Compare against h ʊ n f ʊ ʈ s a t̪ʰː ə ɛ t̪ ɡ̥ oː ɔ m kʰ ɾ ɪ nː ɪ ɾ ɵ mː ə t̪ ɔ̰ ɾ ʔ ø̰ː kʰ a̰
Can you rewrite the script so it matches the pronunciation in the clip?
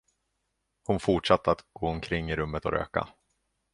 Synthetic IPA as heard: h ʊ n f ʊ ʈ ʂ a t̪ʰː ə a t̪ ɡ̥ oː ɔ m kʰ ɾ ɪ ŋː ɪ ɾ ɵ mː ə t̪ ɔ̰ ɾ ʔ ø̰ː k a̰

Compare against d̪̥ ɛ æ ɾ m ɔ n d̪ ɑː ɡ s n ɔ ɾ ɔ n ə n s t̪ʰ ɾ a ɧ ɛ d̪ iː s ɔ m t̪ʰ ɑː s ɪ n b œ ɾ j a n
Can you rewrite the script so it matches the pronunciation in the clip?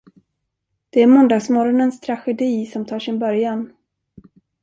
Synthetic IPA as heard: d̪̥ ɛ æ ɾ m ɔ n d̪ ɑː ɡ s m ɔ ɾ ɔ n ə n s t̪ʰ ɾ a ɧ ɛ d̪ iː s ɔ m t̪ʰ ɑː ʂ ɪ n b œ ɾ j a n

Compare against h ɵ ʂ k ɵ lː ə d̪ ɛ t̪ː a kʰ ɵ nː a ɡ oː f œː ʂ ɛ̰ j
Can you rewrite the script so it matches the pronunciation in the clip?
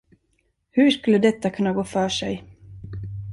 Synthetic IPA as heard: h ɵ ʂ k ɵ lː ə d̪ ɛ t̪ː a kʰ ɵ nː a ɡ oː f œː ʂ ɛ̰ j

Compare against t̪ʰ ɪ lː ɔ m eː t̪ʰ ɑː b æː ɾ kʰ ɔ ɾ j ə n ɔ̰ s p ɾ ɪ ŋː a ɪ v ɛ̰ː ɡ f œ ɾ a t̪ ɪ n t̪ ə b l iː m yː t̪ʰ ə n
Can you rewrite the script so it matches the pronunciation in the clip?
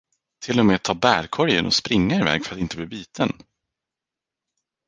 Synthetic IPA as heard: t̪ʰ ɪ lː ɔ m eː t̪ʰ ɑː b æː ɾ kʰ ɔ ɾ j ə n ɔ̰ s p ɾ ɪ ŋː a ɪ v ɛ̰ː ɡ f œ ɾ a t̪ ɪ n t̪ ə b l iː b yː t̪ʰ ə n

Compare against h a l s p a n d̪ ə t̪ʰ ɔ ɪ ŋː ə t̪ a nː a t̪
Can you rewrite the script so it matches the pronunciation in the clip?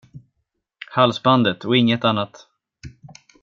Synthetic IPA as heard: h a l s b a n d̪ ə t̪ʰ ɔ ɪ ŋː ə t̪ a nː a t̪

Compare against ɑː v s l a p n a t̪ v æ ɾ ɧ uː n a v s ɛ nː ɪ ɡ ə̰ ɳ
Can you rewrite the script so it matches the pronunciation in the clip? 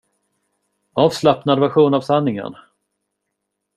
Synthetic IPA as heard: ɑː v s l a p n a d̪ v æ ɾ ɧ uː n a v s a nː ɪ ŋ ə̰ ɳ

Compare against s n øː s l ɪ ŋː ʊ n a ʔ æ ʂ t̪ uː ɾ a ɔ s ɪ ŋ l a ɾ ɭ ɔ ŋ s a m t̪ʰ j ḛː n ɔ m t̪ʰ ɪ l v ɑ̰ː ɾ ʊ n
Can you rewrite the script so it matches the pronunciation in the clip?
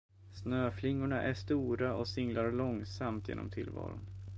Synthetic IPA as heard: s n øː f l ɪ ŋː ʊ ɳ a ʔ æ ʂ t̪ uː ɾ a ɔ s ɪ ŋ l a ɾ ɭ ɔ ŋ s a m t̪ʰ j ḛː n ɔ m t̪ʰ ɪ l v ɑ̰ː ɾ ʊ n

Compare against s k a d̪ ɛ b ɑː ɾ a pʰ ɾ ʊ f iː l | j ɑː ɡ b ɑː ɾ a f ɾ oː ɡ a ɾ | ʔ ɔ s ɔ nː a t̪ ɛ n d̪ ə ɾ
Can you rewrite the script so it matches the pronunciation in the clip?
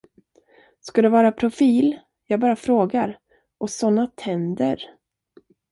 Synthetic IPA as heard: s k a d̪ ɛ v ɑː ɾ a pʰ ɾ ʊ f iː l | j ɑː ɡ b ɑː ɾ a f ɾ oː ɡ a ɾ | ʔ ɔ s ɔ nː a t̪ʰ ɛ n d̪ ə ɾ

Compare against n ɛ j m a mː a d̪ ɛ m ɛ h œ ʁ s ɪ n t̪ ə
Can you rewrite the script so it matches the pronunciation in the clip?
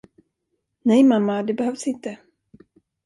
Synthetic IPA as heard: n ɛ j m a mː a d̪ ɛ b ɛ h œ v s ɪ n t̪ ə

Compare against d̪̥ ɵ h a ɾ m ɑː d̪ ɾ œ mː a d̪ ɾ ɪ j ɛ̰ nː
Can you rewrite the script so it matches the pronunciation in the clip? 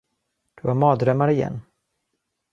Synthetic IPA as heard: d̪̥ ɵ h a ɾ m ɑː d̪ ɾ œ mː a ɾ ɪ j ɛ̰ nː

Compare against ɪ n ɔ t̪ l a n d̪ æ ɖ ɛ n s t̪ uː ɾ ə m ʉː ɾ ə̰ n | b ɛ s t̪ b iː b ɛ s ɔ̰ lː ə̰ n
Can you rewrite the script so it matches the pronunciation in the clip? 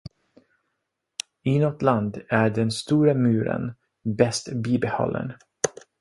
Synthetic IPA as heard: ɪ n ɔ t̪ l a n d̪ æ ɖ ɛ n s t̪ uː ɾ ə m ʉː ɾ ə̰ n | b ɛ s t̪ b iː b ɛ h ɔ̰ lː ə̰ n

